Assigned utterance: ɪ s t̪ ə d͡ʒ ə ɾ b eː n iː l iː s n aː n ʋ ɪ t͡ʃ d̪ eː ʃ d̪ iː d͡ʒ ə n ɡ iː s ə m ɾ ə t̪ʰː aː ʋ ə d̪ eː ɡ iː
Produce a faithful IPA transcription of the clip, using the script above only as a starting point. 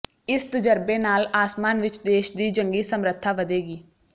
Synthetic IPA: ɪ s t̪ ə d͡ʒ ə ɾ b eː n aː l aː s m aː n ʋ ɪ t͡ʃ d̪ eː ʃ d̪ iː d͡ʒ ə ŋ ɡ iː s ə m ɾ ə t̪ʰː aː ʋ ə d̪ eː ɡ iː